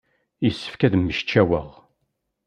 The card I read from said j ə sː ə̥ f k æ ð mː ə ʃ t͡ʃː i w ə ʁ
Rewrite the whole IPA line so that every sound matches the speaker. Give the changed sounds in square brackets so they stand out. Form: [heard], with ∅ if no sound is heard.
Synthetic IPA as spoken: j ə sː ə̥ f k æ ð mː ə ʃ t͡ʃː [æ] w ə ʁ